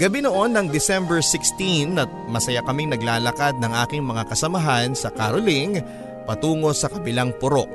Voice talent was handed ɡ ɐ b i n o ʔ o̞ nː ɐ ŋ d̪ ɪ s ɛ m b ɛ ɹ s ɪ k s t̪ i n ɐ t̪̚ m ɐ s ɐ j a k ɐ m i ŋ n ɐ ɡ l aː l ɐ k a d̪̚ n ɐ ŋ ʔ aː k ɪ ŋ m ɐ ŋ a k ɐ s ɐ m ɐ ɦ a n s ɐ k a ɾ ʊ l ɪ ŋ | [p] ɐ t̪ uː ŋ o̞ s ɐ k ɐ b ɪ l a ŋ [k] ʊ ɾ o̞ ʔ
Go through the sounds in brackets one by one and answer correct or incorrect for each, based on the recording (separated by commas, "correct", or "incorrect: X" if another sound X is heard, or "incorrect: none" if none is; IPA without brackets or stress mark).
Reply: correct, incorrect: p